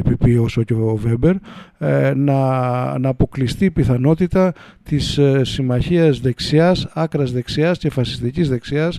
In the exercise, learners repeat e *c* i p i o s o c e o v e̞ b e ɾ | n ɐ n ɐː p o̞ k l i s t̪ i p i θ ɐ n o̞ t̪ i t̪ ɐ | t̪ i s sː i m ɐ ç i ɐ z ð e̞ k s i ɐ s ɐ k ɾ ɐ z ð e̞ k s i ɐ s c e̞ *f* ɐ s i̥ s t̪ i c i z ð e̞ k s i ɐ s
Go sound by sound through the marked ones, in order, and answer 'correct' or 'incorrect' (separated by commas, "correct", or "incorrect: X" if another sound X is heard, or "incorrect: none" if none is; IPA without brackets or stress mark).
incorrect: p, correct